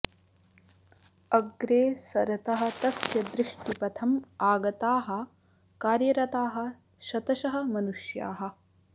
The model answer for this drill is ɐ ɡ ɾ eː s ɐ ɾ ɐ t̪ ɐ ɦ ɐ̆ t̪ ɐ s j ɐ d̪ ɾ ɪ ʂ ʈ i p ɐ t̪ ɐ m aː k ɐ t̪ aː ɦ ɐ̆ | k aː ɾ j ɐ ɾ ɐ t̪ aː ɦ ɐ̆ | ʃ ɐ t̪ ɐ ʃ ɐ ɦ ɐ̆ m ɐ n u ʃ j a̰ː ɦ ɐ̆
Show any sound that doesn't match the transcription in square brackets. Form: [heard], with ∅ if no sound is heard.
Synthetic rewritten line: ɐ ɡ ɾ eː s ɐ ɾ ɐ t̪ ɐ ɦ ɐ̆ t̪ ɐ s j ɐ d̪ ɾ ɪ ʂ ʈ i p ɐ [t̪ʰ] ɐ m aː [ɡ] ɐ t̪ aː ɦ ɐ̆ | k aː ɾ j ɐ ɾ ɐ t̪ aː ɦ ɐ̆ | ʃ ɐ t̪ ɐ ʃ ɐ ɦ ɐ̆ m ɐ n u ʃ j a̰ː ɦ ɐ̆

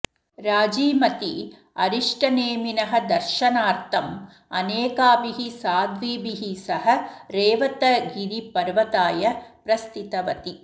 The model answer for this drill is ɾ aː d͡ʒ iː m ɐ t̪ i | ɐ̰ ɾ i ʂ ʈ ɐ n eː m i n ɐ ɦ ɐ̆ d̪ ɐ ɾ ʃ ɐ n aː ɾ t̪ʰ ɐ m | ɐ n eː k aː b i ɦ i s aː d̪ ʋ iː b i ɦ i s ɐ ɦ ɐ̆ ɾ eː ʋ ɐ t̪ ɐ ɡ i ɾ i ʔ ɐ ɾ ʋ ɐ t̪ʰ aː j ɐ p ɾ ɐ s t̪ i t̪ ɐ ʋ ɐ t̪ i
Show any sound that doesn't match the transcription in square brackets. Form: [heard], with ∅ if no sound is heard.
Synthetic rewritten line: ɾ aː d͡ʒ iː m ɐ t̪ i | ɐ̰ ɾ i ʂ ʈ ɐ n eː m i n ɐ ɦ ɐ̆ d̪ ɐ ɾ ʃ ɐ n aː ɾ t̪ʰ ɐ m | ɐ n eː k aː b i ɦ i s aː d̪ ʋ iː b i ɦ i s ɐ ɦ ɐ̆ ɾ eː ʋ ɐ t̪ ɐ ɡ i ɾ i [p] ɐ ɾ ʋ ɐ [t̪] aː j ɐ p ɾ ɐ s t̪ i t̪ ɐ ʋ ɐ t̪ i

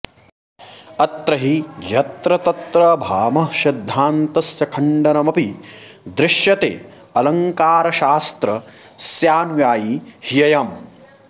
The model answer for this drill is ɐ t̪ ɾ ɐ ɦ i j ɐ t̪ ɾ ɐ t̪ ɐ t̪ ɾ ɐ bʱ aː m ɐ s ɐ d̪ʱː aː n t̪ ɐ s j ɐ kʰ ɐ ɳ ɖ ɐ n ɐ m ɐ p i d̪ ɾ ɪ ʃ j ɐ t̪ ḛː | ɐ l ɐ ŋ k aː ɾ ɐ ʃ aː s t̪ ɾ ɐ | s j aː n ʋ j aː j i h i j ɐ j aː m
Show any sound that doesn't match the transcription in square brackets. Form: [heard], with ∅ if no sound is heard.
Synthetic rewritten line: ɐ t̪ ɾ ɐ ɦ i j ɐ t̪ ɾ ɐ t̪ ɐ t̪ ɾ ɐ bʱ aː m ɐ [ʃ] ɐ d̪ʱː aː n t̪ ɐ s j ɐ kʰ ɐ ɳ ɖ ɐ n ɐ m ɐ p i d̪ ɾ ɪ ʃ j ɐ t̪ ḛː | ɐ l ɐ ŋ k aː ɾ ɐ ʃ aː s t̪ ɾ ɐ | s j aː n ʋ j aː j i h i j ɐ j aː m

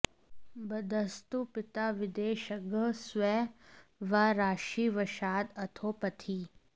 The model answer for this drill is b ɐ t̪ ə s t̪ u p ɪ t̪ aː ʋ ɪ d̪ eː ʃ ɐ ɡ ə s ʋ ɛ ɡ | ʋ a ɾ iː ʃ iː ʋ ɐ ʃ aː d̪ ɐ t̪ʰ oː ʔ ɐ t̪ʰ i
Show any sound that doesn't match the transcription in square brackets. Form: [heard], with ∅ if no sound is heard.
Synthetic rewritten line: b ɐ [d̪] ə s t̪ u p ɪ t̪ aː ʋ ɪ d̪ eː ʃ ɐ ɡ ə s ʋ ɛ [∅] | ʋ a ɾ [aː] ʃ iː ʋ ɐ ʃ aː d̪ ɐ t̪ʰ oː [p] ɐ t̪ʰ i

